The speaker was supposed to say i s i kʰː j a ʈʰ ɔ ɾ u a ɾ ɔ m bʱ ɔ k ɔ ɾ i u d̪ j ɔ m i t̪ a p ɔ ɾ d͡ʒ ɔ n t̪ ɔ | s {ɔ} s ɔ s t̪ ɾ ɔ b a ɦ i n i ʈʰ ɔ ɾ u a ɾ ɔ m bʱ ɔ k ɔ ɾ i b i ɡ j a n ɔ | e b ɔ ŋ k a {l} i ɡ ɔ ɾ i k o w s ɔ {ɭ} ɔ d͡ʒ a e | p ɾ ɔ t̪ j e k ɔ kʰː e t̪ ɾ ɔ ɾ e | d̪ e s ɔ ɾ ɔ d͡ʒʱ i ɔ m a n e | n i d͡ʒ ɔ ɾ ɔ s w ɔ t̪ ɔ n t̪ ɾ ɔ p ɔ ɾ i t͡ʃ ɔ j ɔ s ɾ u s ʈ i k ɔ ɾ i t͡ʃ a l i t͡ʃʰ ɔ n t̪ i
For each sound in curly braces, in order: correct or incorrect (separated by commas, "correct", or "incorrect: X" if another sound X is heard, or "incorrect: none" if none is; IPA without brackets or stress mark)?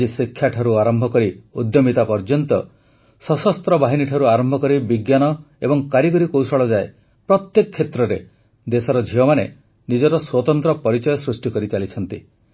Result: correct, incorrect: ɾ, correct